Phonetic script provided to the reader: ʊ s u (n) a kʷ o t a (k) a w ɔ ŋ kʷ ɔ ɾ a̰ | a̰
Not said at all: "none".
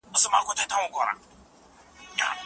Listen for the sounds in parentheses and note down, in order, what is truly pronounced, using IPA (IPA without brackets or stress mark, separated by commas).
m, t